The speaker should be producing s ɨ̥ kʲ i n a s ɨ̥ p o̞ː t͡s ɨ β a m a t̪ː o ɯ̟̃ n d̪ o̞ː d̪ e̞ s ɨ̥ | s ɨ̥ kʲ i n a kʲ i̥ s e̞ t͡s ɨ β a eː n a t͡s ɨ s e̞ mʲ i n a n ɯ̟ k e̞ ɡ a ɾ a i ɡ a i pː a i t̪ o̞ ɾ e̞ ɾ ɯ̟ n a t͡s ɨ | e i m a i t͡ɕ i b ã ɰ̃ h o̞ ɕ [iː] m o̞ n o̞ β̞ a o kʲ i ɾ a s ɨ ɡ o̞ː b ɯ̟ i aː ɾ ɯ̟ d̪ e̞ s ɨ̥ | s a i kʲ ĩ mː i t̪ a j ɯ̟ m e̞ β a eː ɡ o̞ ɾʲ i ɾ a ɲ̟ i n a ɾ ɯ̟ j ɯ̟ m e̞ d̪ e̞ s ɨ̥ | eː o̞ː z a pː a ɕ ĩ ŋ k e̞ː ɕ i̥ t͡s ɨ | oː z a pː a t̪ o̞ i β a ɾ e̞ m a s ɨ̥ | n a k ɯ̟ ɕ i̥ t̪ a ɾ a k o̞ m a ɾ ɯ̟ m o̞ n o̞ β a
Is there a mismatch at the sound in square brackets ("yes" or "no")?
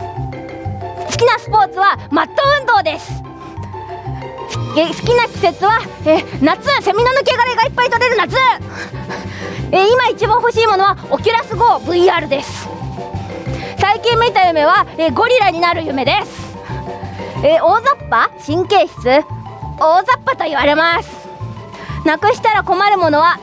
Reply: no